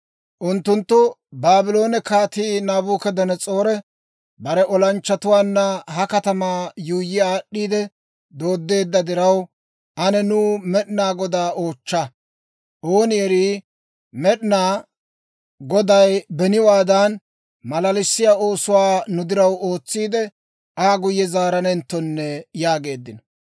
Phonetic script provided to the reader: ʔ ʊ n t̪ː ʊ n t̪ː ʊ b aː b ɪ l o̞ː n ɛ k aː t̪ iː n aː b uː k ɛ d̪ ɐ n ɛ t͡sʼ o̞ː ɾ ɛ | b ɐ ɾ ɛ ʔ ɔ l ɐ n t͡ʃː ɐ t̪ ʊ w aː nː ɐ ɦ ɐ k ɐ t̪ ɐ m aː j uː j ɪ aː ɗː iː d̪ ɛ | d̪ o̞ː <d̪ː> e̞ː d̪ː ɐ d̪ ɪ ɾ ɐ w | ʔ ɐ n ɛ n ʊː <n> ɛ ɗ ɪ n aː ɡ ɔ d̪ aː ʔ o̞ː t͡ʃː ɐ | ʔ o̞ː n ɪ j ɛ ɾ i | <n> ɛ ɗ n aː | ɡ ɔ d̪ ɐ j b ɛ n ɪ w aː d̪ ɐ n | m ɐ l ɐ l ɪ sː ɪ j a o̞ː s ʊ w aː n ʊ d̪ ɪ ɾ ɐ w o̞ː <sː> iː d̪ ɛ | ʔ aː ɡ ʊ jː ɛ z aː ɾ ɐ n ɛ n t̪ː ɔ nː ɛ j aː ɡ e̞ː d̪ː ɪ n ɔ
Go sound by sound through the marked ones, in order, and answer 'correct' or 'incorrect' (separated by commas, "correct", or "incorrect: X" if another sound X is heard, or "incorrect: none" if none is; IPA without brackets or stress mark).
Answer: correct, incorrect: m, incorrect: m, incorrect: t͡sː